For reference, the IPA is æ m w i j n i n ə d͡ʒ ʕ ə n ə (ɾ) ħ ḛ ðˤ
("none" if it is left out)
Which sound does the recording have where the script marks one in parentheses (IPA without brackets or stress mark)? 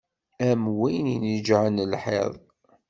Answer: l